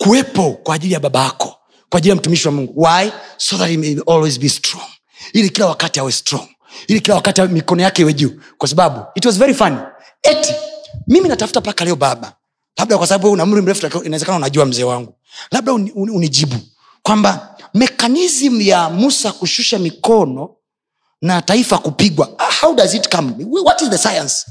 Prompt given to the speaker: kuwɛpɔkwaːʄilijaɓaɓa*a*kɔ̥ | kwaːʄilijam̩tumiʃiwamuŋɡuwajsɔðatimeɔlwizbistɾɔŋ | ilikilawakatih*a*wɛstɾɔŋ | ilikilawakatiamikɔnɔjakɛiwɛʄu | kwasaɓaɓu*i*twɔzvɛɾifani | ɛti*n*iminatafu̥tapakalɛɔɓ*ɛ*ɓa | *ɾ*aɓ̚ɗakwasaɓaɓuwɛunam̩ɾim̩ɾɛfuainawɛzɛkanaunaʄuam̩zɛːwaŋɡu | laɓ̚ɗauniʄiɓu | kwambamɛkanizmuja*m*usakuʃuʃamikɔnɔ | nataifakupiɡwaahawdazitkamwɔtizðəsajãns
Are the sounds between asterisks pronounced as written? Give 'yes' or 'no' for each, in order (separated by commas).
yes, yes, yes, no, no, no, yes